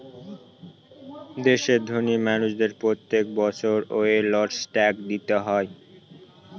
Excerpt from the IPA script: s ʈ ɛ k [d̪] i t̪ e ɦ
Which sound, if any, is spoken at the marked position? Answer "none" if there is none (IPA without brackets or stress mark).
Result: d̪